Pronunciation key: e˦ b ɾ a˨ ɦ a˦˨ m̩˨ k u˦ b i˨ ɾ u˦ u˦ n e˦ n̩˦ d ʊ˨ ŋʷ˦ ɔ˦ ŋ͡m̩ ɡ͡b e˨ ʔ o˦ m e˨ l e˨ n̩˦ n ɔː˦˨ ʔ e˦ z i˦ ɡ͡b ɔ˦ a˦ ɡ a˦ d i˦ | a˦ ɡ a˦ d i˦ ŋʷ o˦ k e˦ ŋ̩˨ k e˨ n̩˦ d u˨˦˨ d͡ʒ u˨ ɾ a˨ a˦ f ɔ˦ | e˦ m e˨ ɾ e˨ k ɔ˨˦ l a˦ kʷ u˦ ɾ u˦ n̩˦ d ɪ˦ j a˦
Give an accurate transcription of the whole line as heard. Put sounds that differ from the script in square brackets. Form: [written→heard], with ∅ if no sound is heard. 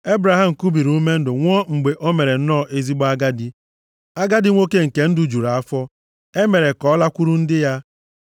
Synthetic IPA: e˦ b ɾ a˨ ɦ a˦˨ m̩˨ k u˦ b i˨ ɾ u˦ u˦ [n→m] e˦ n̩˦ d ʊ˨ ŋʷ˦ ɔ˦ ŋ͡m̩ ɡ͡b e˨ ʔ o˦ m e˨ [l→ɾ] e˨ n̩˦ n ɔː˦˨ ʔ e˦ z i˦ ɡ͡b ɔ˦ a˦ ɡ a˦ d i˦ | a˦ ɡ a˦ d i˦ ŋʷ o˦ k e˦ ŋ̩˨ k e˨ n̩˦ d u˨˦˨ d͡ʒ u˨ ɾ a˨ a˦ f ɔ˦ | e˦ m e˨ ɾ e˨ k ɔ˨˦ l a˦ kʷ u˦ ɾ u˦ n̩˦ d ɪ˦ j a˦